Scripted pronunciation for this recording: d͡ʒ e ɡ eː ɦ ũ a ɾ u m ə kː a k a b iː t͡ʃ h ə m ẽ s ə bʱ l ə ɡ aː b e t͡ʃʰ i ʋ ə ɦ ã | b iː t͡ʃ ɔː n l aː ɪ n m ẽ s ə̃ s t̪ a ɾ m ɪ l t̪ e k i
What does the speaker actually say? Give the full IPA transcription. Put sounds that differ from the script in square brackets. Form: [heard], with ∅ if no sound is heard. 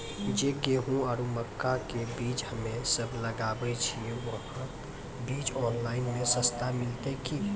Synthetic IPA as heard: d͡ʒ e ɡ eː ɦ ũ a ɾ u m ə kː a k [e] b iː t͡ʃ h ə m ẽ s ə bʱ l ə ɡ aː b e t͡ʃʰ i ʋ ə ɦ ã | b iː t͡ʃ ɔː n l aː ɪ n m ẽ s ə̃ s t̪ a [∅] m ɪ l t̪ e k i